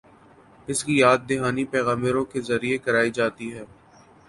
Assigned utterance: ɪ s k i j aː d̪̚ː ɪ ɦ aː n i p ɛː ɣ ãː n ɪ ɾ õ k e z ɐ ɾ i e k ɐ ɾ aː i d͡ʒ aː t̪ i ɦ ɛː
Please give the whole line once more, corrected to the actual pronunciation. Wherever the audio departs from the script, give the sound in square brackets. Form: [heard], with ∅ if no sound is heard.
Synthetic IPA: ɪ s k i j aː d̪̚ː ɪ ɦ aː n i p ɛː ɣ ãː [m] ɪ ɾ õ k e z ɐ ɾ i e k ɐ ɾ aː i d͡ʒ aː t̪ i ɦ ɛː